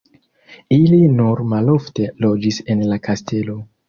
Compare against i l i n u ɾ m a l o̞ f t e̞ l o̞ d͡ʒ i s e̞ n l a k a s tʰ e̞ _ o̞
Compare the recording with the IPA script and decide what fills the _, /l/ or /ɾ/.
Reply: l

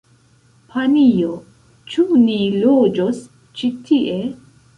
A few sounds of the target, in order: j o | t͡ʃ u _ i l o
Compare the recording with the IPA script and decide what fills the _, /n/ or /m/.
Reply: n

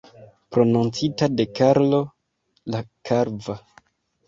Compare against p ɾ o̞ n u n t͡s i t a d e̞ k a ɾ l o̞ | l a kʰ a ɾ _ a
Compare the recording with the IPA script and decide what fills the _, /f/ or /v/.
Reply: v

